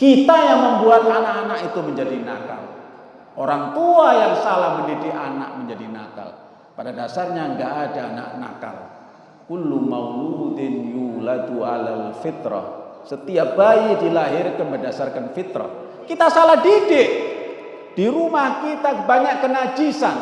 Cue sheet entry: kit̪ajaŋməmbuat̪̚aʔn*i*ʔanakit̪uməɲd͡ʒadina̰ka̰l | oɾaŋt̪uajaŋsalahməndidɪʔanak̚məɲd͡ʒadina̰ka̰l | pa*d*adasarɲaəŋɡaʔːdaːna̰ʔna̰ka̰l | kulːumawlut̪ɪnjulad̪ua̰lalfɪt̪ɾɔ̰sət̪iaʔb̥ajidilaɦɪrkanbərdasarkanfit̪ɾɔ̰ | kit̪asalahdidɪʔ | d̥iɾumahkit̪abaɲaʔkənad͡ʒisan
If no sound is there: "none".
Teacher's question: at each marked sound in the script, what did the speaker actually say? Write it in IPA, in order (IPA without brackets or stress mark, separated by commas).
a, d